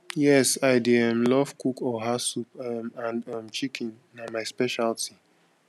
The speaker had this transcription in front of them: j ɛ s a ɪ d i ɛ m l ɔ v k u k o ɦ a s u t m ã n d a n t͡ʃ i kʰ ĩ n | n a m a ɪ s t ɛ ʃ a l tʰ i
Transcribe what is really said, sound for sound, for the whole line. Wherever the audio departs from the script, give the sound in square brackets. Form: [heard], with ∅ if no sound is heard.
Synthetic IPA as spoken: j ɛ s a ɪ d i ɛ m l ɔ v k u k [ɔ] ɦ a s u [p] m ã n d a [m] t͡ʃ i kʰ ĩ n | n a m a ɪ s [p] ɛ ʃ a l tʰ i